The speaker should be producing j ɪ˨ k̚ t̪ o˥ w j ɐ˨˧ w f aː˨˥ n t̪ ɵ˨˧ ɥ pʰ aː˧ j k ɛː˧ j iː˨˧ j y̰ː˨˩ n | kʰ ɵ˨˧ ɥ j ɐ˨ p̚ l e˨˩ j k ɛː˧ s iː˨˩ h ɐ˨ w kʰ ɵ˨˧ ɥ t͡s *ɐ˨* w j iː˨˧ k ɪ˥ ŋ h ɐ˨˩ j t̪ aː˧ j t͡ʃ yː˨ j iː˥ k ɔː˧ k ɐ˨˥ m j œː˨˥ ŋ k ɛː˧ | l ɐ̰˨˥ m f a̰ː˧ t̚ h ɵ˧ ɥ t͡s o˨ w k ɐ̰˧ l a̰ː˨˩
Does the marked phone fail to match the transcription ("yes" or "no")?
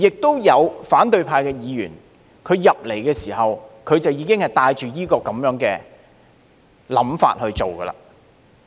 no